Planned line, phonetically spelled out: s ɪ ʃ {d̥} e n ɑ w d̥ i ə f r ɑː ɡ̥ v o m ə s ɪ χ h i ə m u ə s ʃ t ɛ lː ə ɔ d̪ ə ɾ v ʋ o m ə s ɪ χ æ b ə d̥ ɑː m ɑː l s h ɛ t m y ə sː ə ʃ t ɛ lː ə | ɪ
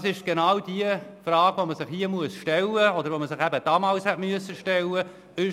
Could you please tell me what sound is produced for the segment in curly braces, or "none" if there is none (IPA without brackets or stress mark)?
ɡ̥